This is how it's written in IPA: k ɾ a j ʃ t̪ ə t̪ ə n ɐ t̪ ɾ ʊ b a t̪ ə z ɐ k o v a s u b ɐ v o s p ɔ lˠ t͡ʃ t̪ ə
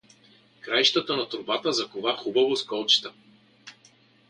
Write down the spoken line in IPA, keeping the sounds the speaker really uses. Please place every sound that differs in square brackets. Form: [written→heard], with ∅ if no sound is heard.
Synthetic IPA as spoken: k ɾ a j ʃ t̪ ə t̪ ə n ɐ t̪ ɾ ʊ b a t̪ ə z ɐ k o v a [s→x] u b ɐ v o s [p→k] ɔ lˠ t͡ʃ t̪ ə